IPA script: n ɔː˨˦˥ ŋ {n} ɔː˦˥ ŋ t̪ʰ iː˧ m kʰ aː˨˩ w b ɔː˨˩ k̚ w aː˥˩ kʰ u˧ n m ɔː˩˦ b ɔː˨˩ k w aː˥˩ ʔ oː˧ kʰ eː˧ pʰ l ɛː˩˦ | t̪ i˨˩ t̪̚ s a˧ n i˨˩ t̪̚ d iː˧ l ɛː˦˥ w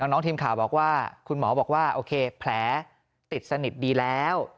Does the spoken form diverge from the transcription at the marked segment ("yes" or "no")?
no